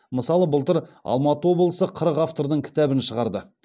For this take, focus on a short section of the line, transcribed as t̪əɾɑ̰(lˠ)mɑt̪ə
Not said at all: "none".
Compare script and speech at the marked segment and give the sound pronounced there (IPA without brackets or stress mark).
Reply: lˠ